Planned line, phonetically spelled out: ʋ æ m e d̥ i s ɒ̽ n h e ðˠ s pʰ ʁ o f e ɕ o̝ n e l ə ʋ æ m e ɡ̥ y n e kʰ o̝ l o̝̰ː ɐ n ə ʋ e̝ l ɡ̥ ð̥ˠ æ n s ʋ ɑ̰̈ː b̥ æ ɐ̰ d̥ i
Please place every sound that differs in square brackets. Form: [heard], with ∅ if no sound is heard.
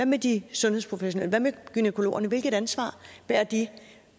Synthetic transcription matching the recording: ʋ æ m e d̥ i s [ɔ̽] n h e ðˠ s pʰ ʁ o f e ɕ o̝ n e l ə ʋ æ m e ɡ̥ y n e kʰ o̝ l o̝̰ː ɐ n ə ʋ e̝ l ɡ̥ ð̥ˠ æ n s ʋ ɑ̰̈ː b̥ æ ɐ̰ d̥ i

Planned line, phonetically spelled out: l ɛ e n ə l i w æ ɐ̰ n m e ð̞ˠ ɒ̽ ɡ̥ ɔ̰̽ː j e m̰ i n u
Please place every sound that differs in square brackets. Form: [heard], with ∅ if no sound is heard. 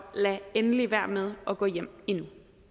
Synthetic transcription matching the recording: l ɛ e n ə l i [ʋ] æ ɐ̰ [∅] m e ð̞ˠ ɒ̽ ɡ̥ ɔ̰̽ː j e m̰ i n u

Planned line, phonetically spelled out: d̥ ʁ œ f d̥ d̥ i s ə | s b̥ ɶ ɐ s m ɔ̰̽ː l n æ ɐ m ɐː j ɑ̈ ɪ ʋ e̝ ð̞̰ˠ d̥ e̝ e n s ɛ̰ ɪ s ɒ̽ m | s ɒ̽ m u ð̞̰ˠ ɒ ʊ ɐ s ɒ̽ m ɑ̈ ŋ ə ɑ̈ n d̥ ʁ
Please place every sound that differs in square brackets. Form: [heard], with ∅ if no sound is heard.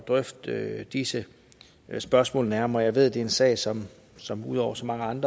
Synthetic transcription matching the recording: d̥ ʁ œ f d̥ d̥ i s ə | s b̥ ɶ ɐ s m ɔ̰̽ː l n æ ɐ m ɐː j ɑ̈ ɪ ʋ e̝ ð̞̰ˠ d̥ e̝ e n s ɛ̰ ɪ s ɒ̽ m | s ɒ̽ m u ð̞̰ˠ ɒ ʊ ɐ s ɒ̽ m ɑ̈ ŋ ə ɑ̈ n d̥ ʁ

